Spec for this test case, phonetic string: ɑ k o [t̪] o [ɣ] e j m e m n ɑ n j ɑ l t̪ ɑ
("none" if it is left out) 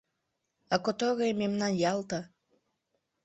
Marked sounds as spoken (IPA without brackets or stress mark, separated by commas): t̪, ɣ